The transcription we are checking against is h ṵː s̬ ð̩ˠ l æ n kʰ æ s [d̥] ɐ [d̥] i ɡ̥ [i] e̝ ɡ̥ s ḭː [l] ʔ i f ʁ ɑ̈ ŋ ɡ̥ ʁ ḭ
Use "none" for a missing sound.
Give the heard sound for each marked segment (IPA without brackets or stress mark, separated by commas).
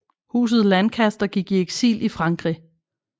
d̥, ɡ̥, i, l